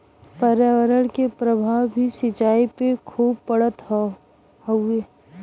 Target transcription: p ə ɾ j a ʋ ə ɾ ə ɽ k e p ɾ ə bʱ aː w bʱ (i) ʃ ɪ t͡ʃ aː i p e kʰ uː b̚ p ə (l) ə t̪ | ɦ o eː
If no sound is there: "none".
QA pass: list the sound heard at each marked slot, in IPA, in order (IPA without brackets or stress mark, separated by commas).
i, ɽ